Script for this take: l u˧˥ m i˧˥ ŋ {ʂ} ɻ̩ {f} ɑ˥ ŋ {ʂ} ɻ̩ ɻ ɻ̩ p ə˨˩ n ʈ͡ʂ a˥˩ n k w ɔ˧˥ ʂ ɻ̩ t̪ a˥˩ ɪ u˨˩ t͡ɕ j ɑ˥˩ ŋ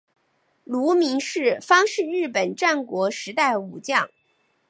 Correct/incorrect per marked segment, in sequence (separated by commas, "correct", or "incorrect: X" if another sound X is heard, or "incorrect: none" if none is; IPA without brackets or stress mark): correct, correct, correct